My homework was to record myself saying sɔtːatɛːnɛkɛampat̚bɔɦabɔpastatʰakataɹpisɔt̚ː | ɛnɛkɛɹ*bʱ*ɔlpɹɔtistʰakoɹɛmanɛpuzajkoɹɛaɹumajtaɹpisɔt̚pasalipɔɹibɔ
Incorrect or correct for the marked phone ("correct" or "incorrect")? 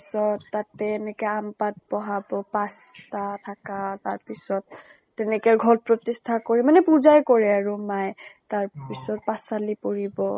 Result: incorrect